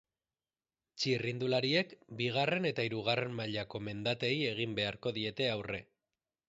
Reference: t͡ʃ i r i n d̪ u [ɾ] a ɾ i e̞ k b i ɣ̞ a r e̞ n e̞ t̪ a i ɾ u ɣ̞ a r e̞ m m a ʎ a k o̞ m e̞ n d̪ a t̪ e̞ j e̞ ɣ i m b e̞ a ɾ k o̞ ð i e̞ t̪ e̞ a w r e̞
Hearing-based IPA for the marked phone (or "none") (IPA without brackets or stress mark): l